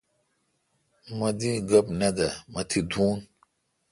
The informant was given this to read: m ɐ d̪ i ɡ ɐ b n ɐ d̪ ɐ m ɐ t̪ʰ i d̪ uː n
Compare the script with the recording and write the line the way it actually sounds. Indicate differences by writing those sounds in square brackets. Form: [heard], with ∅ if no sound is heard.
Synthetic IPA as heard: m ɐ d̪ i ɡ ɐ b n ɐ d̪ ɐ m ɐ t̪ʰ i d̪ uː n

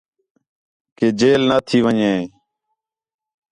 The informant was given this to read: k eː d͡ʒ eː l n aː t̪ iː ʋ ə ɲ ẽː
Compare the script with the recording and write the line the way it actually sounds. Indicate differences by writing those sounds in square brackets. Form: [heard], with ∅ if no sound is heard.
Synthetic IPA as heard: k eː d͡ʒ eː l n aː [t̪ʰ] iː ʋ ə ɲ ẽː

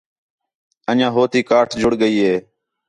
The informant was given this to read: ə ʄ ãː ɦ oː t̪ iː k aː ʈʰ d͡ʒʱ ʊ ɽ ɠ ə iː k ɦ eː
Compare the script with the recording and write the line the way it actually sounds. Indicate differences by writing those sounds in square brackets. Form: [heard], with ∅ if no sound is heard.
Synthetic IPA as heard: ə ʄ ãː ɦ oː t̪ iː k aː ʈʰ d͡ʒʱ ʊ ɽ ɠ ə iː [∅] ɦ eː

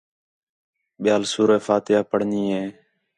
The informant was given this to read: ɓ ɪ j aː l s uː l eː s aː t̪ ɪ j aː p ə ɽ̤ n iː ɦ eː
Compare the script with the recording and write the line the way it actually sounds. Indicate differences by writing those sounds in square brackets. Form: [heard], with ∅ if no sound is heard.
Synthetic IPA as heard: ɓ ɪ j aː l s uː [ɾ] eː [f] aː t̪ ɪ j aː p ə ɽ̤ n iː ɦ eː

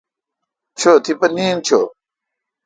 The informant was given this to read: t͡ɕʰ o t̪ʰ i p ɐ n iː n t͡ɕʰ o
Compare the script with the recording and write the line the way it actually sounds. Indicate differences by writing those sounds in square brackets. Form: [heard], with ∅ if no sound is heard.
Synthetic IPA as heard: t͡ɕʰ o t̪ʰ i p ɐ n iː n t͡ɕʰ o

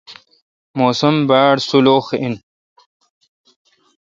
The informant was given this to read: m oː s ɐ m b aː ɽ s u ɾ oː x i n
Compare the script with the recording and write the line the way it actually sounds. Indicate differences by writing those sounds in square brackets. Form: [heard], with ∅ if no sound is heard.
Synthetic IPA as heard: m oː s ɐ m b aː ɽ s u [l] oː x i n

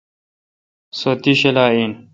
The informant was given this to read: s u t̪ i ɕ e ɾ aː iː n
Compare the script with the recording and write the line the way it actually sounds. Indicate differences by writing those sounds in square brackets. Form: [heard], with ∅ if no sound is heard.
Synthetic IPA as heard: s [o] t̪ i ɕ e [l] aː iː n

